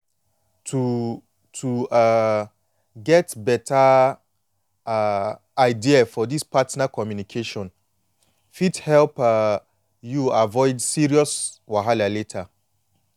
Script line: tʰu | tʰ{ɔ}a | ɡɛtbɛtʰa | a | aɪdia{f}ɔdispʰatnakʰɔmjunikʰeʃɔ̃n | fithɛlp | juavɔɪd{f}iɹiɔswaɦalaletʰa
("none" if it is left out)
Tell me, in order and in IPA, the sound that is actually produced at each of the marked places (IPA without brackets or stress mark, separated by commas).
u, f, s